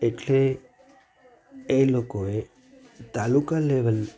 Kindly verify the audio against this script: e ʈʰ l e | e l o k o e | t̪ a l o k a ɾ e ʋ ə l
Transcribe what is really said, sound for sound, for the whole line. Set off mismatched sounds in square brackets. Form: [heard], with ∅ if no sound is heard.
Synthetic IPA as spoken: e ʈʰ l e | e l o k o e | t̪ a l [u] k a [l] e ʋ ə l